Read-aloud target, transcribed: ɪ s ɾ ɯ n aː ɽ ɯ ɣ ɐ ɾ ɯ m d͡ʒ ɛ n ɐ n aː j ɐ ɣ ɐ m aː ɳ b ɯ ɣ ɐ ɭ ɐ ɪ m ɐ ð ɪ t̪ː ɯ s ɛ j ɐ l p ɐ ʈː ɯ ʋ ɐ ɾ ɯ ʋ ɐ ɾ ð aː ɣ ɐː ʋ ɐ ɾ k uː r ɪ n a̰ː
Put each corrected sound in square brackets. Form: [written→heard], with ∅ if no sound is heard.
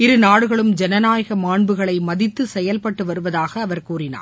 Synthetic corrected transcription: ɪ [s→∅] ɾ ɯ n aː ɽ ɯ ɣ ɐ [ɾ→ɭ] ɯ m d͡ʒ ɛ n ɐ n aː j ɐ ɣ ɐ m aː ɳ b ɯ ɣ ɐ ɭ ɐ ɪ m ɐ ð ɪ t̪ː ɯ s ɛ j ɐ l p ɐ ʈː ɯ ʋ ɐ ɾ ɯ ʋ ɐ [ɾ→∅] ð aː ɣ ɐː ʋ ɐ ɾ k uː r ɪ n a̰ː